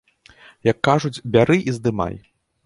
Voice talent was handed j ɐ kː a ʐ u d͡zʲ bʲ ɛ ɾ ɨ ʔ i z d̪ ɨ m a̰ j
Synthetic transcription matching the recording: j ɐ kː a ʐ u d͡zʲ bʲ a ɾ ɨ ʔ i z d̪ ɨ m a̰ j

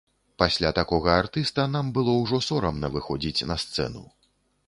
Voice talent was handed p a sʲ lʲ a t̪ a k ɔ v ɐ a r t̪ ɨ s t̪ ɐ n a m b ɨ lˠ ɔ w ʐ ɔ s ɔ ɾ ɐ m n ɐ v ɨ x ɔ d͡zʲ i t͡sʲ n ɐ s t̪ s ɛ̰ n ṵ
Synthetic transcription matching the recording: p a sʲ lʲ a t̪ a k ɔ ɣ ɐ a r t̪ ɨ s t̪ ɐ n a m b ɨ lˠ ɔ w ʐ ɔ s ɔ ɾ ɐ m n ɐ v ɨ x ɔ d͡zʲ i t͡sʲ n ɐ s t̪ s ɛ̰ n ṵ

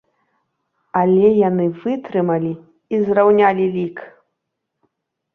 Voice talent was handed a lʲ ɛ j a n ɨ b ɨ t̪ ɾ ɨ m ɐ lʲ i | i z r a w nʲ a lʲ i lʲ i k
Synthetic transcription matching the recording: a lʲ ɛ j a n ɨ v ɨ t̪ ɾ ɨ m ɐ lʲ i | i z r a w nʲ a lʲ i lʲ i k

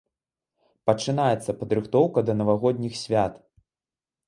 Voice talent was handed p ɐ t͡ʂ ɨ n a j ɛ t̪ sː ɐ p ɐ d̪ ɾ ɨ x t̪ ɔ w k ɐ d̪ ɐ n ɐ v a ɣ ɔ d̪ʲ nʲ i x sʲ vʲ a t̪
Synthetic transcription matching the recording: p ɐ t͡ʂ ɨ n a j ɛ t̪ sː ɐ p ɐ d̪ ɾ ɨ x t̪ ɔ w k ɐ d̪ ɐ n ɐ v a ɣ ɔ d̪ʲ nʲ i x sʲ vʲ a t̪

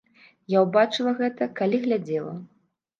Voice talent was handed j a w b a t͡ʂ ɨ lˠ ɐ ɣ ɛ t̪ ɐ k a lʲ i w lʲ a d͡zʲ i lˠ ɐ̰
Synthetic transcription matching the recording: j a w b a t͡ʂ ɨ lˠ ɐ ɣ ɛ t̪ ɐ k a lʲ i ɣ lʲ a d͡zʲ ɛ lˠ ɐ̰

